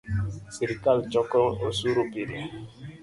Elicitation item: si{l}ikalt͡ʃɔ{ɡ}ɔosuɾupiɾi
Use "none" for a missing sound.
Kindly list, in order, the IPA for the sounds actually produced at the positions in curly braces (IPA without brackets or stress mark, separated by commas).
ɾ, k